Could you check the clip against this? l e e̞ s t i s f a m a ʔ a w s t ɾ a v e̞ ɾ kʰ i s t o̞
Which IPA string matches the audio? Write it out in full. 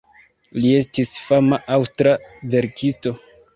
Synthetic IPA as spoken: l i e̞ s t i s f a m a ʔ a w s t ɾ a v e̞ ɾ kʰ i s t o̞